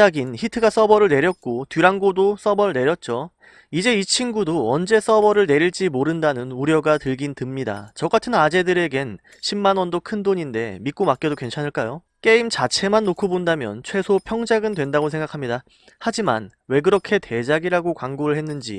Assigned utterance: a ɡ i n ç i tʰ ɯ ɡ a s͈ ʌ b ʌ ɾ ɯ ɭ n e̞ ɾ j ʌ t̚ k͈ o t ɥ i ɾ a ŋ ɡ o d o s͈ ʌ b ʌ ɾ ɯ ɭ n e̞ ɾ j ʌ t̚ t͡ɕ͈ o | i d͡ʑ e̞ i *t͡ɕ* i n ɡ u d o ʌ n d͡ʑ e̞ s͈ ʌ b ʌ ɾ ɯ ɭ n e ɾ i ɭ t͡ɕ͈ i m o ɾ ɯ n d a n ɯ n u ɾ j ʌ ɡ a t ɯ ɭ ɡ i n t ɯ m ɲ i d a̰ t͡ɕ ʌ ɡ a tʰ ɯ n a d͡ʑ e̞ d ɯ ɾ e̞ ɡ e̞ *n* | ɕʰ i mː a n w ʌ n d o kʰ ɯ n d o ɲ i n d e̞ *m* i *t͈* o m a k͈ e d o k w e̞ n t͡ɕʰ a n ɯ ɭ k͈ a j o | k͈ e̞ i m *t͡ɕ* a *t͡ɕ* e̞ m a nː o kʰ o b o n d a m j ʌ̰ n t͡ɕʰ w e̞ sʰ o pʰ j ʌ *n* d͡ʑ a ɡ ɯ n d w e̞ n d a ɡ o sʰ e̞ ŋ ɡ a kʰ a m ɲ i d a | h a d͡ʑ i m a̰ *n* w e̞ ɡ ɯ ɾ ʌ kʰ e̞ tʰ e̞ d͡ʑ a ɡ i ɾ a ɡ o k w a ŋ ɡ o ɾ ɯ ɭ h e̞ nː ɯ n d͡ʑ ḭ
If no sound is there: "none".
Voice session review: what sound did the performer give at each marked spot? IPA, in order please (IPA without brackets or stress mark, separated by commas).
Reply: t͡ɕʰ, n, m, k͈, t͡ɕ, t͡ɕʰ, ŋ, n